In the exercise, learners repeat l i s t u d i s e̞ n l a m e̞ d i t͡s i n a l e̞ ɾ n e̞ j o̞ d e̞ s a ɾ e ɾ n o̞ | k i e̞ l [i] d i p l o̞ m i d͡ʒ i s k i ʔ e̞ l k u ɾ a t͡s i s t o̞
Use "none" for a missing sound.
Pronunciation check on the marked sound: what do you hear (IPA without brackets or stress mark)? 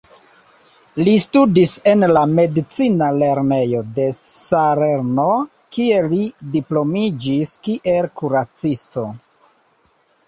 i